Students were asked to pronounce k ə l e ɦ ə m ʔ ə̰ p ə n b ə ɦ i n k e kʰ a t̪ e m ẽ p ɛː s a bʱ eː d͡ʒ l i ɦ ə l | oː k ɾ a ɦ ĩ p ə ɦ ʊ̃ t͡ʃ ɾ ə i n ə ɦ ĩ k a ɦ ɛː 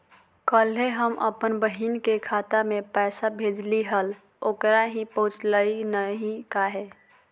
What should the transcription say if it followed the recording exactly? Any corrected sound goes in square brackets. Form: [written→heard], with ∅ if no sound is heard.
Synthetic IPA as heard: k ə l e ɦ ə m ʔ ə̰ p ə n b ə ɦ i n k e kʰ a t̪ [e→a] m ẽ p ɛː s a bʱ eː d͡ʒ l i ɦ ə l | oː k ɾ a ɦ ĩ p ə ɦ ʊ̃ t͡ʃ [ɾ→l] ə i n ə ɦ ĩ k a ɦ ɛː